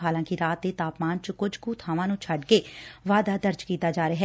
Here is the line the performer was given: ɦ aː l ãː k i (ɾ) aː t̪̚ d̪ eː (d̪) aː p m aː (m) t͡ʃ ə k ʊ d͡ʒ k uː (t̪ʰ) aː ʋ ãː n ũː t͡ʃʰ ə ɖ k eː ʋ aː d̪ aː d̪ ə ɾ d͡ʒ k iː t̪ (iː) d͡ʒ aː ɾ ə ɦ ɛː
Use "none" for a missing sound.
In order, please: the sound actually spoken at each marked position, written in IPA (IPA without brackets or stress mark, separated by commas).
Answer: ɾ, t̪, n, t̪ʰ, aː